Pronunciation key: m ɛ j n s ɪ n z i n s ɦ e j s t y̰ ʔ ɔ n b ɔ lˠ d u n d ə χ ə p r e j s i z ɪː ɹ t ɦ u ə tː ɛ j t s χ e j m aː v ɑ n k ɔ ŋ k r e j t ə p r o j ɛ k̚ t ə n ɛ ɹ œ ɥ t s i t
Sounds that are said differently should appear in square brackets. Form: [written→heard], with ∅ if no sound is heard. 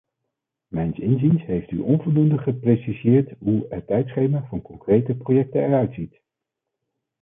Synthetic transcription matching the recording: m ɛ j n s ɪ n z i n s ɦ e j [s→f] t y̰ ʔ ɔ n [b→v] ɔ lˠ d u n d ə χ ə p r e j s i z ɪː ɹ t ɦ u ə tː ɛ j t s χ e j m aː v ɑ n k ɔ ŋ k r e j t ə p r o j ɛ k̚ t ə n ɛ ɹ œ ɥ t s i t